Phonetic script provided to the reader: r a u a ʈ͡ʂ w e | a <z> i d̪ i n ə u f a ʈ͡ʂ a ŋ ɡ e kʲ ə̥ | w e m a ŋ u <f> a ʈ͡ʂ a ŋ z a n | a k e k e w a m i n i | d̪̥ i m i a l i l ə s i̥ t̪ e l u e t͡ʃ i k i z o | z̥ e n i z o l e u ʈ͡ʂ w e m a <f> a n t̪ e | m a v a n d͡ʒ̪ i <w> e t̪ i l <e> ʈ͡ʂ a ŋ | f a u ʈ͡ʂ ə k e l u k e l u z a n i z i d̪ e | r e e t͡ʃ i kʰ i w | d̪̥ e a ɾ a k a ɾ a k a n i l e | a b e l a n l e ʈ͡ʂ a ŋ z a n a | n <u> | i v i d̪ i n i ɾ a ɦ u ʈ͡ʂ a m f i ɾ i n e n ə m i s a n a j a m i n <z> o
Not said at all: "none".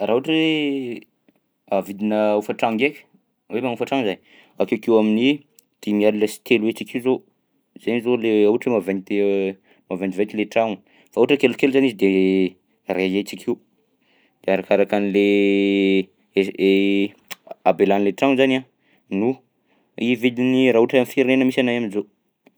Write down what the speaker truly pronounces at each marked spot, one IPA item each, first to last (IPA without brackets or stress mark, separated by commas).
v, f, v, v, e, u, z